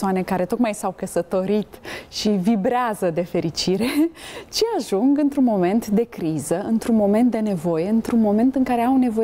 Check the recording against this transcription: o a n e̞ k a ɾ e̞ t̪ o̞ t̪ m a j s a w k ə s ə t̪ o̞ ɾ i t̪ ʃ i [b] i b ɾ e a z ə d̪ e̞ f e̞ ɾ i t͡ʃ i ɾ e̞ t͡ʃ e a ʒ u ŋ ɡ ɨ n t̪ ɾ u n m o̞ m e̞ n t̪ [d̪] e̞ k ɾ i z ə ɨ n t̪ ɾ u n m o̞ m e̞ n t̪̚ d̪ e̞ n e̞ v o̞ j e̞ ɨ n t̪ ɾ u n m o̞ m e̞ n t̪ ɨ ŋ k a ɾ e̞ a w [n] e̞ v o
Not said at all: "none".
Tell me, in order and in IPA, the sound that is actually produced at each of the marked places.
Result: v, d̪, n

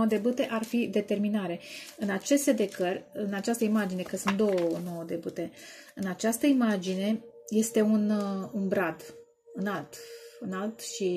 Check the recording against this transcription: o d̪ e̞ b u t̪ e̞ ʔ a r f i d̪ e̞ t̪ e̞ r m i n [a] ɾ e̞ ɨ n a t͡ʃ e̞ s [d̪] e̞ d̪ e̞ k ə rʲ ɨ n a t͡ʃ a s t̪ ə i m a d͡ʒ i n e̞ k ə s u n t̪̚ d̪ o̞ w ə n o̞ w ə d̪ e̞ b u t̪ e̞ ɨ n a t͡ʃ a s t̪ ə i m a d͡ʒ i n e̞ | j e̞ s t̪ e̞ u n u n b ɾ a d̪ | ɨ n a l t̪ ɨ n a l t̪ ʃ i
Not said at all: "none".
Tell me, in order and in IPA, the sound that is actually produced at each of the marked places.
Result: a, t̪

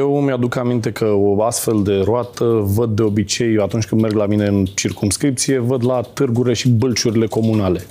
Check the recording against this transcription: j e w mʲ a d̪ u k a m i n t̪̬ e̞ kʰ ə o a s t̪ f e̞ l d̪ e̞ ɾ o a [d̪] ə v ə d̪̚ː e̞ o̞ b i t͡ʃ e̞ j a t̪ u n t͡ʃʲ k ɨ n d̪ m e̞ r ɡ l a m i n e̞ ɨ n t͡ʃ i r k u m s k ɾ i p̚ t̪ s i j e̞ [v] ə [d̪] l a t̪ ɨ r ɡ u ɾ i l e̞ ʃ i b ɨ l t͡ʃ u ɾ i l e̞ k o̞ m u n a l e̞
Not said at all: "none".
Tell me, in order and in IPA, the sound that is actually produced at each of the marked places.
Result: t̪, v, d̪

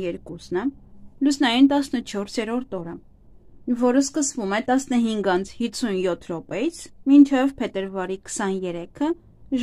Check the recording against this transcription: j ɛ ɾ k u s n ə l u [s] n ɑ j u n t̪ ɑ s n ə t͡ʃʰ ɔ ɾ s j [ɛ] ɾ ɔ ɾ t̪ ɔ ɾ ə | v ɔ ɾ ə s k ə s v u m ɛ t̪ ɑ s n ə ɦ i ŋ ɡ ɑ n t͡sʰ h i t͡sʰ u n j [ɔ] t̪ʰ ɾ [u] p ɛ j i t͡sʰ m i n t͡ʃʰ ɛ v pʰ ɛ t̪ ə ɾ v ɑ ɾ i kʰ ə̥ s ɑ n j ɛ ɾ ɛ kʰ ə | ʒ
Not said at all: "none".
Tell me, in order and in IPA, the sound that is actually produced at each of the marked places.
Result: s, ɛ, ɔ, ɔ

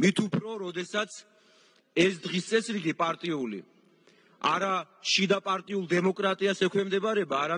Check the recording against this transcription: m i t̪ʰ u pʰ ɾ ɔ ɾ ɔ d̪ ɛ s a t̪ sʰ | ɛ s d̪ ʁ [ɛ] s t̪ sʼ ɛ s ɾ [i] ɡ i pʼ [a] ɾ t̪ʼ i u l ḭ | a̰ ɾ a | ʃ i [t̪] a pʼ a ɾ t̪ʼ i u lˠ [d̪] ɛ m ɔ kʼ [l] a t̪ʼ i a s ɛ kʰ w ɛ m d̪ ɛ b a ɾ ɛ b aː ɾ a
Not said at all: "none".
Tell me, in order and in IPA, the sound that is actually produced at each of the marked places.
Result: i, i, a, d̪, d̪, ɾ

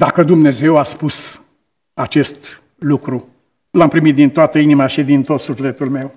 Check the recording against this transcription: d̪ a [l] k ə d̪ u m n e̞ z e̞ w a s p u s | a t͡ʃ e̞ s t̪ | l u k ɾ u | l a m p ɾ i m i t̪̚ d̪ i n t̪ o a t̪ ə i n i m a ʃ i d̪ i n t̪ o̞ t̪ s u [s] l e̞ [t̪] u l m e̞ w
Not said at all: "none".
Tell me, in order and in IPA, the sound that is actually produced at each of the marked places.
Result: none, f, t̪

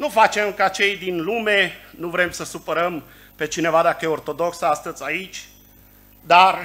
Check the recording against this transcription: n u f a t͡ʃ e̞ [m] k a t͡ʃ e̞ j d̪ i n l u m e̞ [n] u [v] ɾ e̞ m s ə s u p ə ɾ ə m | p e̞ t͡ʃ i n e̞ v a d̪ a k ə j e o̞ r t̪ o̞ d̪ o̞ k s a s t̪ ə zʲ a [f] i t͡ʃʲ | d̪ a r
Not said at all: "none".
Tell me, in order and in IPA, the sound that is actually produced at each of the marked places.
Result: m, n, v, none

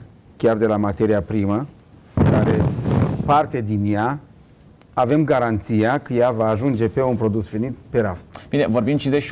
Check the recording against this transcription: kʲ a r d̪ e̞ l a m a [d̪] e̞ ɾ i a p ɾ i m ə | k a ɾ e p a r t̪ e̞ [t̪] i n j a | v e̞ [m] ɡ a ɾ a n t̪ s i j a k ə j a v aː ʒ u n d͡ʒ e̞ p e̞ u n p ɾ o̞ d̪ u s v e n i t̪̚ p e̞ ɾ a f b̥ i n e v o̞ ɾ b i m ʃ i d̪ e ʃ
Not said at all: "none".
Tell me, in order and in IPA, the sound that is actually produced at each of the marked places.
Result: t̪, d̪, m

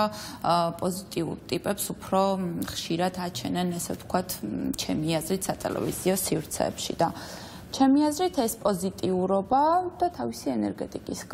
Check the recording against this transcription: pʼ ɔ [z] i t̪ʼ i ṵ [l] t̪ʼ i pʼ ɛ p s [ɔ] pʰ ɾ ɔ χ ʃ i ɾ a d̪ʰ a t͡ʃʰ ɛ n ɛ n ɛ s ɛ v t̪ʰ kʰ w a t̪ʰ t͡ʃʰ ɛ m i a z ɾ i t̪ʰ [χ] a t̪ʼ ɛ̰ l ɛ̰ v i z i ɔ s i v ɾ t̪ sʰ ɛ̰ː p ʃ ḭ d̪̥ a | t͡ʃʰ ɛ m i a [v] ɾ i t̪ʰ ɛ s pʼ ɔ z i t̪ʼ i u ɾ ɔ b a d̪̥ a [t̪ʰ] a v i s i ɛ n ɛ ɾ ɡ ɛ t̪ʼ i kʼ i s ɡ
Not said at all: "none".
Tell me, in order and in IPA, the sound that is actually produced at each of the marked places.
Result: z, ɾ, u, s, z, t̪ʰ

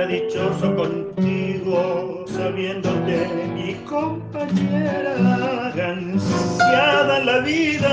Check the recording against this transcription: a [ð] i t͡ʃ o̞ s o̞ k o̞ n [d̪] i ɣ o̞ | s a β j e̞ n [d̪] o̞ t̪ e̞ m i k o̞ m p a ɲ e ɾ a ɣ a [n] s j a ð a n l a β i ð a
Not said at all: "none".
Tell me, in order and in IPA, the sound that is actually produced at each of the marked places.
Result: ð, t̪, d̪, n

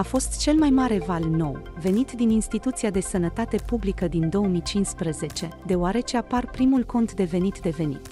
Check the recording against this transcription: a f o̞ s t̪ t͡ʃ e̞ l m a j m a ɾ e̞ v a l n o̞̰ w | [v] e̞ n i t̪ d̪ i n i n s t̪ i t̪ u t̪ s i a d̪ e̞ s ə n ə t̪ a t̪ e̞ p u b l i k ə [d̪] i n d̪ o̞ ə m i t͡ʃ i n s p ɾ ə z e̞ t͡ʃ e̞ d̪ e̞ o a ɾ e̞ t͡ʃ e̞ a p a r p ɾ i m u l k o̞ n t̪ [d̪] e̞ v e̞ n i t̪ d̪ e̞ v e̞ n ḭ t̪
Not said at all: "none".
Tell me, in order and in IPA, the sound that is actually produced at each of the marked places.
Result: v, d̪, d̪

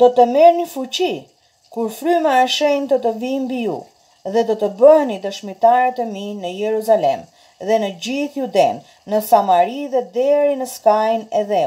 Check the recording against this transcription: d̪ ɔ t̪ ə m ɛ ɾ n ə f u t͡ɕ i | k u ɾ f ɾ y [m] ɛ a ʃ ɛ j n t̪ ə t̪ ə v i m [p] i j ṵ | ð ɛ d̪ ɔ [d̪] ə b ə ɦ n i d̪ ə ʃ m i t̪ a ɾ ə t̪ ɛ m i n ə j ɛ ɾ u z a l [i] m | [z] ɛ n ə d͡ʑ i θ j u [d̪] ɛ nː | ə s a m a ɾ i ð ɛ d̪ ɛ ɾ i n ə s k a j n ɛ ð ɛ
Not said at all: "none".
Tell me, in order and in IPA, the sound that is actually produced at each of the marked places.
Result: m, b, t̪, ɛ, ð, d̪

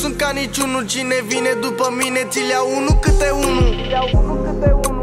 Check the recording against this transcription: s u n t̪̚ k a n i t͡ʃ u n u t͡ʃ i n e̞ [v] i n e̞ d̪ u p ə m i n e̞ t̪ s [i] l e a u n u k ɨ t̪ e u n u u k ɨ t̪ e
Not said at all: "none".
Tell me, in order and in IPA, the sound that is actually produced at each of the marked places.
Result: v, i

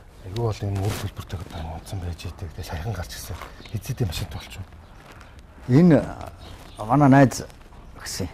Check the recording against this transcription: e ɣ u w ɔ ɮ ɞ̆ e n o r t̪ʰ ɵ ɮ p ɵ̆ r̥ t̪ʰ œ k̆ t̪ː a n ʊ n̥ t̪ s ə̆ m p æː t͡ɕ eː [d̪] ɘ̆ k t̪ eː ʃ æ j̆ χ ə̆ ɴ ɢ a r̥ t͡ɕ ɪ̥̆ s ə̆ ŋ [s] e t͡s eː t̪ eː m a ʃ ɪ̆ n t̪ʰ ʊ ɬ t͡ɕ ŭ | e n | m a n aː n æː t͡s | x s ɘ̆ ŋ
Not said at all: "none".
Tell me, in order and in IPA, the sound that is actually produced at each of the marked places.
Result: t̪, x

